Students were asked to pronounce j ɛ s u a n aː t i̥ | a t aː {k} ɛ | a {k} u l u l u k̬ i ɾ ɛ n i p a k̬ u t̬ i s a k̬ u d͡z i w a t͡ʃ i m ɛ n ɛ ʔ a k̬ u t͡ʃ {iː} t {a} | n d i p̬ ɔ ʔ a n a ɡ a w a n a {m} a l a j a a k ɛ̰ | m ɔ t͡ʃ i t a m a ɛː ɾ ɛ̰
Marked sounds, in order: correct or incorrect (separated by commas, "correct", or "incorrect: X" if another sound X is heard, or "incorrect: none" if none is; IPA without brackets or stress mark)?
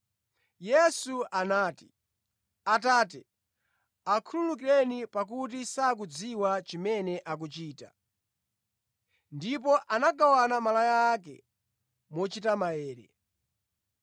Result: incorrect: t, incorrect: kʰ, correct, correct, correct